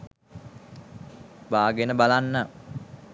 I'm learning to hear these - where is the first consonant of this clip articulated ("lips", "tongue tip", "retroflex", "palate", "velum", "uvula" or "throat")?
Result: lips